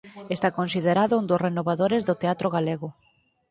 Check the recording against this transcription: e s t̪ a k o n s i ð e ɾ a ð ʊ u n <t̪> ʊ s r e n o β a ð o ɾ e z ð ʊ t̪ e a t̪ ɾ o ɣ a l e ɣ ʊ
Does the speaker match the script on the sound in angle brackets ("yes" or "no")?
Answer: no